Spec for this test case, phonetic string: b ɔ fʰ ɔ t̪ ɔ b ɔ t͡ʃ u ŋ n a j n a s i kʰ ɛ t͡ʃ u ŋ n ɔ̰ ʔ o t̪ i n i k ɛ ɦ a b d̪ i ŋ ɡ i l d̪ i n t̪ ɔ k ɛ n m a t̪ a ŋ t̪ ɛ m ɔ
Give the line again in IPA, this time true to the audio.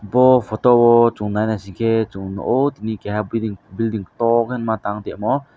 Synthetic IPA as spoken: b ɔ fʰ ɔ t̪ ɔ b ɔ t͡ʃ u ŋ n a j n a s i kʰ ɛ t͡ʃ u ŋ n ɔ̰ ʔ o t̪ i n i k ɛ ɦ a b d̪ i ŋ b i l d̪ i ŋ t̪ ɔ k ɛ n m a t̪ a ŋ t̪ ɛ m ɔ